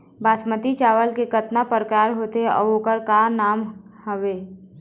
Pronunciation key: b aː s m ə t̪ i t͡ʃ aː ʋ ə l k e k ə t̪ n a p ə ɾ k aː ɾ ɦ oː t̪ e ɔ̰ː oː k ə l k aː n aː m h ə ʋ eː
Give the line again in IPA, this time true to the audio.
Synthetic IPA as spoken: b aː s m ə t̪ i t͡ʃ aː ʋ ə l k e k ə t̪ n a p ə ɾ k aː ɾ ɦ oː t̪ e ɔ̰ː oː k ə ɾ k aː n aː m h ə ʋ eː